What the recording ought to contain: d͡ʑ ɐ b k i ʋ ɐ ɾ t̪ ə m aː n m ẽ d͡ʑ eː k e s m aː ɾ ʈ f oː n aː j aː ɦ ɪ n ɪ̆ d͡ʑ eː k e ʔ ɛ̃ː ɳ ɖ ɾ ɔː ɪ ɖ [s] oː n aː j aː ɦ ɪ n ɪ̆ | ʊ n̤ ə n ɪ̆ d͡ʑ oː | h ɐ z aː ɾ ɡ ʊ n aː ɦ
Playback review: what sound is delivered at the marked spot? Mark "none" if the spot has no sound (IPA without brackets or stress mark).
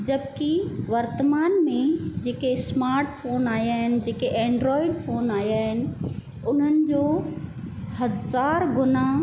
f